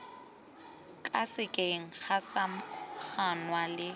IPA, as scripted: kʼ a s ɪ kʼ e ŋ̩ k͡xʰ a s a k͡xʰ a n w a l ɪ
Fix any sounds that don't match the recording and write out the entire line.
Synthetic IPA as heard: kʼ a s ɪ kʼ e ŋ̩ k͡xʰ a s a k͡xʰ a n w a l ɪ